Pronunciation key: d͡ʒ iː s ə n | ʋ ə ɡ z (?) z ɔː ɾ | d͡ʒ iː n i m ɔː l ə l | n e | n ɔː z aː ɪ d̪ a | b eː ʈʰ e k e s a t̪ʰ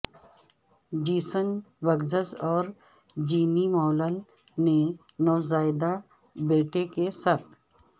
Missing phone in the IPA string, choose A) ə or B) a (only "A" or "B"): A